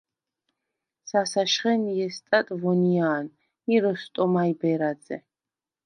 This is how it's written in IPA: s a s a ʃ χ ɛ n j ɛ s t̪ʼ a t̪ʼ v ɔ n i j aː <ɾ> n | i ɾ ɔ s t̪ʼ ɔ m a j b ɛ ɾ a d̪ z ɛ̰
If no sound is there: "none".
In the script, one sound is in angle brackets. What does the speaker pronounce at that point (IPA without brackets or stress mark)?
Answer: none